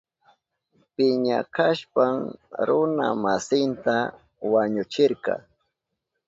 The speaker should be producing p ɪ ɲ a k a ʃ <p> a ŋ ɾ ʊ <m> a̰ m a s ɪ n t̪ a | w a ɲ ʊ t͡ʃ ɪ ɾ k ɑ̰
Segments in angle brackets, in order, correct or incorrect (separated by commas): correct, incorrect